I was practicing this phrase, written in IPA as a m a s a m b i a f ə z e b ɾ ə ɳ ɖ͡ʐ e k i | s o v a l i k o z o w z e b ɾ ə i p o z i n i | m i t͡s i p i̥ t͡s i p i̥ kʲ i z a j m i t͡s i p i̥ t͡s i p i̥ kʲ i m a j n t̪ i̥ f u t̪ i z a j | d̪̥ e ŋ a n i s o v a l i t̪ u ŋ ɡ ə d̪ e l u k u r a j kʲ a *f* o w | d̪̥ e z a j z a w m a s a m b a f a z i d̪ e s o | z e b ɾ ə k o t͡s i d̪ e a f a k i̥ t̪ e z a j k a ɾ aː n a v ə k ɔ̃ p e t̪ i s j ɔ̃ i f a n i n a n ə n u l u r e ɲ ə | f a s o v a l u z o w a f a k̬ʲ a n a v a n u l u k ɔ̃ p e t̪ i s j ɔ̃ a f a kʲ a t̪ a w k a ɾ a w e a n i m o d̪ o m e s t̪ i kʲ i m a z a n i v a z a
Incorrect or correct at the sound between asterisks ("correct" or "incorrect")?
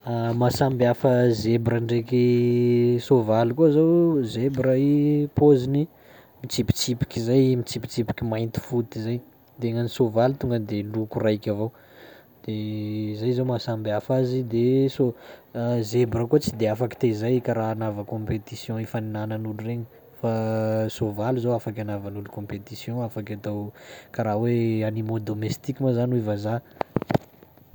incorrect